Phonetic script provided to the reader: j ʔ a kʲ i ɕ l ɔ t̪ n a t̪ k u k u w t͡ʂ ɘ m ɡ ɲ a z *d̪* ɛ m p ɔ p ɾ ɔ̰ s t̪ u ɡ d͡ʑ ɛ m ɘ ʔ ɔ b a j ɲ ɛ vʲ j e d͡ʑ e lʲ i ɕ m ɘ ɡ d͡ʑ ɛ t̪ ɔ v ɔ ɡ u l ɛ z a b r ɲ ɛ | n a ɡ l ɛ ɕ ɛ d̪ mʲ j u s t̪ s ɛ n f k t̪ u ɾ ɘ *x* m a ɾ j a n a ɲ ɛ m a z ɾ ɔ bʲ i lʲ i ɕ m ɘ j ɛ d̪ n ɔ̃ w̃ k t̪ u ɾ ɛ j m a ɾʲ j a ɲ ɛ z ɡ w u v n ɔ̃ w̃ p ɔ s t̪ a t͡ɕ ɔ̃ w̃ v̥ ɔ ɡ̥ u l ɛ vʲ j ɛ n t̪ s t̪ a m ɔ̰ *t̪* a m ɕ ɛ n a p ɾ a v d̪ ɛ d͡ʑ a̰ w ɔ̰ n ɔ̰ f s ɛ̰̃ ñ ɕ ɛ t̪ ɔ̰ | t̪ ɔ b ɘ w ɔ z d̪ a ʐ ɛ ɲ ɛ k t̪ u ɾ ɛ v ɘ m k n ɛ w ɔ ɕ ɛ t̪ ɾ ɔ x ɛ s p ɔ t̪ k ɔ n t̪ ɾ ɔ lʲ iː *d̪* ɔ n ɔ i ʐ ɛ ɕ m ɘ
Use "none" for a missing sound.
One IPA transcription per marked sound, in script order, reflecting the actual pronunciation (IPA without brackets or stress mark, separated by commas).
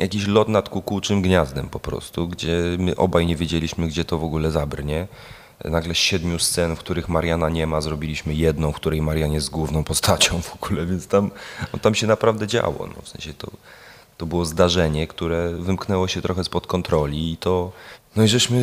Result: d̪, x, t̪, t̪